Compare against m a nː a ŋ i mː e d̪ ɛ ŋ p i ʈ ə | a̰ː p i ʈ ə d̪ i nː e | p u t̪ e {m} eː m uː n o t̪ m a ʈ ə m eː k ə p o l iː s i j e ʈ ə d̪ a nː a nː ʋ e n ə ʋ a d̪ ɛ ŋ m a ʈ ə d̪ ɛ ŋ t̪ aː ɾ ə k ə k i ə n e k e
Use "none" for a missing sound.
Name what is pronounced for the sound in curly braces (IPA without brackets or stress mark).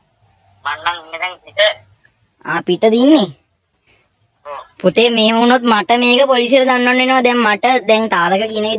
m